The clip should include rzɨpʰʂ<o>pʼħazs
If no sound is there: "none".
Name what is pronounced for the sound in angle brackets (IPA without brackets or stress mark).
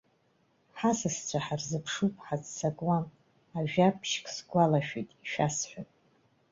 u